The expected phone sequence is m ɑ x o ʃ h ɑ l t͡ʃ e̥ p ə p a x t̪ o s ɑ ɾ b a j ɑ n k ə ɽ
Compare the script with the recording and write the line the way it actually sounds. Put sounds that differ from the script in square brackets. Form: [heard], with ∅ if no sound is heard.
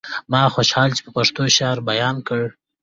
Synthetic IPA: m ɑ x o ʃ h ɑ l t͡ʃ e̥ p ə p a [ʂ] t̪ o [ʃ] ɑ ɾ b a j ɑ n k ə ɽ